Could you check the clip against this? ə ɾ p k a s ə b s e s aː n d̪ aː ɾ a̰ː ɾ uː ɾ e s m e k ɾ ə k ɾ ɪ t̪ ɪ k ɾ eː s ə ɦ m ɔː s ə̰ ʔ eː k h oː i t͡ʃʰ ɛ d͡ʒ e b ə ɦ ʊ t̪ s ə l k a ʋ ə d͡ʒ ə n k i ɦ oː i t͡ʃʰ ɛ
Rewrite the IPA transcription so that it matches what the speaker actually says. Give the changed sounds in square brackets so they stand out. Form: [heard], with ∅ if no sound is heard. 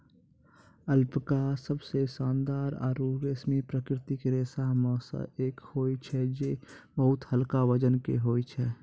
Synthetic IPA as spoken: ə [l] p k a s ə b s e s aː n d̪ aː ɾ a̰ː ɾ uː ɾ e s m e [p] ɾ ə k ɾ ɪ t̪ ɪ k ɾ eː s [a] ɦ m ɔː s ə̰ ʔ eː k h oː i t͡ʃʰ ɛ d͡ʒ e b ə ɦ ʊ t̪ [h] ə l k a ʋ ə d͡ʒ ə n k [e] ɦ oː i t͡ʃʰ ɛ